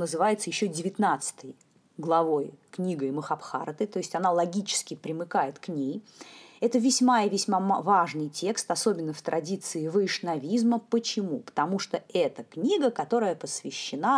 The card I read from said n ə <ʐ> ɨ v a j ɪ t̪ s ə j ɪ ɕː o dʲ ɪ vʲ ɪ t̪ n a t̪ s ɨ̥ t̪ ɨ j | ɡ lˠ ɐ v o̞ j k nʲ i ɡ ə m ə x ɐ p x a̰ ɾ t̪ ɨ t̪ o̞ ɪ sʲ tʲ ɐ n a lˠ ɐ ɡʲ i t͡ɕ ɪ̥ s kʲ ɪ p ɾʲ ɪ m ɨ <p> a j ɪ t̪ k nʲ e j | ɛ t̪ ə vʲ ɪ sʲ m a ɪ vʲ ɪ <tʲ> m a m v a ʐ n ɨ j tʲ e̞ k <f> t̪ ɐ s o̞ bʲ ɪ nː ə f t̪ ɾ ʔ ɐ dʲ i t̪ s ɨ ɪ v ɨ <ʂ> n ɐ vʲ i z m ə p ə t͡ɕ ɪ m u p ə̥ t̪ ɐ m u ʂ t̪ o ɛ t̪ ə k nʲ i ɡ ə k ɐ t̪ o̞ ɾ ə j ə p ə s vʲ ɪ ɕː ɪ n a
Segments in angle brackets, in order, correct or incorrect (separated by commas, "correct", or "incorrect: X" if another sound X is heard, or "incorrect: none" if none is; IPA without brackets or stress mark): incorrect: z, incorrect: k, incorrect: sʲ, incorrect: s, correct